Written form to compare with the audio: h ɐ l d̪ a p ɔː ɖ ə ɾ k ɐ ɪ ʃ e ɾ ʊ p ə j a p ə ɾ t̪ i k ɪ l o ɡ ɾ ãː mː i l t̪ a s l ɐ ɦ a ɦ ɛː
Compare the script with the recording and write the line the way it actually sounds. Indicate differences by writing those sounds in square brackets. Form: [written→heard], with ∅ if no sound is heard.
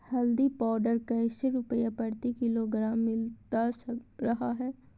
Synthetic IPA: h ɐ l d̪ [a→i] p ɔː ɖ ə ɾ k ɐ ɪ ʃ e ɾ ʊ p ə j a p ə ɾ t̪ i k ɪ l o ɡ ɾ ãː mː [i→ɪ] l t̪ a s [l→ɾ] ɐ ɦ a ɦ ɛː